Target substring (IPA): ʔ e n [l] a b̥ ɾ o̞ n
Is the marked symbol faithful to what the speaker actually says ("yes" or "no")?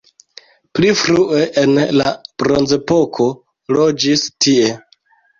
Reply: yes